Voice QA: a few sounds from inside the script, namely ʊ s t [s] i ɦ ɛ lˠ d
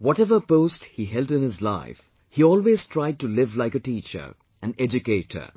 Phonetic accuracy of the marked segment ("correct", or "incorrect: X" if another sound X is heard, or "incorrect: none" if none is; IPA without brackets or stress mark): incorrect: h